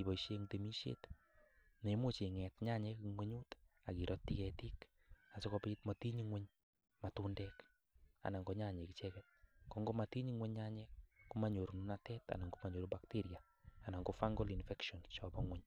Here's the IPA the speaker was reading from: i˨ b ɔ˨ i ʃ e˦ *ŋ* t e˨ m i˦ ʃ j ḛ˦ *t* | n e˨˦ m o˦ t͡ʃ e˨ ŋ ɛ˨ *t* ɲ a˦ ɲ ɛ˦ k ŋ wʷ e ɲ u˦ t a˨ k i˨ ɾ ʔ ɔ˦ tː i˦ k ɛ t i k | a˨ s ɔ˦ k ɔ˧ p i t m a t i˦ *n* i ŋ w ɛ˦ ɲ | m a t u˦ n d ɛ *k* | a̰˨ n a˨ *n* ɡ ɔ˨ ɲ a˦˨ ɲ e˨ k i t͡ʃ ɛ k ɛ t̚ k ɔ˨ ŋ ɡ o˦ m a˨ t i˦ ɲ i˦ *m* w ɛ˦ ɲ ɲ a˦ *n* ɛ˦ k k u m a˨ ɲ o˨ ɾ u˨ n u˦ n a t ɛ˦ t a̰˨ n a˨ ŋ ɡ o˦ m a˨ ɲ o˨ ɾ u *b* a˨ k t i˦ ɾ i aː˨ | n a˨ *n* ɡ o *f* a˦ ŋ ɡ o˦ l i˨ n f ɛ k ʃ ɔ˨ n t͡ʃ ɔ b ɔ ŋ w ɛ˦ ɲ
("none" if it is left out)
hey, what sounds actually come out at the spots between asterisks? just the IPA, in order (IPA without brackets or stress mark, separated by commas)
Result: ŋ, t, t, ɲ, k, ŋ, ŋ, ɲ, b, ŋ, f